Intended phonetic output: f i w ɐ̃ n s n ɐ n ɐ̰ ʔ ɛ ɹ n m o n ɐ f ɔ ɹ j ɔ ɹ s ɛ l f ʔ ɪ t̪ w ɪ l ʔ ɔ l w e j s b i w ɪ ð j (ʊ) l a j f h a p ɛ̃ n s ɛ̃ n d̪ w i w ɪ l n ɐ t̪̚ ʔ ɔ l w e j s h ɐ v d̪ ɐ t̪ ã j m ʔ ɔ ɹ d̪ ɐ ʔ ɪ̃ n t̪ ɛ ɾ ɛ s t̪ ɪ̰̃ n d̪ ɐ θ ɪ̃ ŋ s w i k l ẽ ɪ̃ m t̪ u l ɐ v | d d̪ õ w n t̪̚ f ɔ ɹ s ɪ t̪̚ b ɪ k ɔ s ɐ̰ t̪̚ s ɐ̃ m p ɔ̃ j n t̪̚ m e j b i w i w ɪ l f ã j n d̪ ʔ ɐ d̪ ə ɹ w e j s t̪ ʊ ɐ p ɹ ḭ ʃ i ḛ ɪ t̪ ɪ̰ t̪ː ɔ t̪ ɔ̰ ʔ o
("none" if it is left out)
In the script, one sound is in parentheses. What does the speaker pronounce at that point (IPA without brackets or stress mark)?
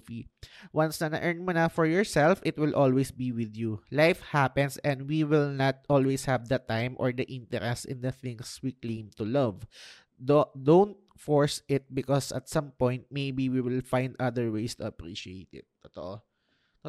u